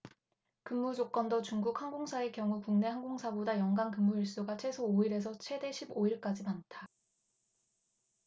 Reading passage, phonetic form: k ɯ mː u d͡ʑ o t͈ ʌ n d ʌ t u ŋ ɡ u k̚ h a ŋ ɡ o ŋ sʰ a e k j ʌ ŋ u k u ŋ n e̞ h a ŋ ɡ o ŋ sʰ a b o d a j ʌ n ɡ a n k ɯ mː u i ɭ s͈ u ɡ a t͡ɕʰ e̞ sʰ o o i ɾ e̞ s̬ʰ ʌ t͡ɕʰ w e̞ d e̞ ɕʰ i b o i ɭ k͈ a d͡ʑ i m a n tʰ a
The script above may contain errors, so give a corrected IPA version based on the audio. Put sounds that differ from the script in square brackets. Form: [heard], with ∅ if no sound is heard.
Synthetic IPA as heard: k ɯ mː u d͡ʑ o [k͈] ʌ n d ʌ [t͡ɕ] u ŋ ɡ u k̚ h a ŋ ɡ o ŋ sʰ a e k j ʌ ŋ u k u ŋ n e̞ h a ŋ ɡ o ŋ sʰ a b o d a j ʌ [ŋ] ɡ a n k ɯ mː u i ɭ s͈ u ɡ a t͡ɕʰ e̞ sʰ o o i ɾ e̞ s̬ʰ ʌ t͡ɕʰ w e̞ d e̞ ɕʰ i b o i ɭ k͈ a d͡ʑ i m a n tʰ a